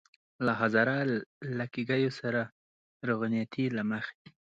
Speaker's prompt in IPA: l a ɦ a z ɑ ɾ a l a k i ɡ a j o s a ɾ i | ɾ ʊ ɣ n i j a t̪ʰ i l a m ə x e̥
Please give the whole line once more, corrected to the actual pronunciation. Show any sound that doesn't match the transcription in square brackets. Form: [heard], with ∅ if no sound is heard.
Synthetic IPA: l a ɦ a z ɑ ɾ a l a k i ɡ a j o s a ɾ [a] | ɾ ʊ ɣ n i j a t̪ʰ i l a m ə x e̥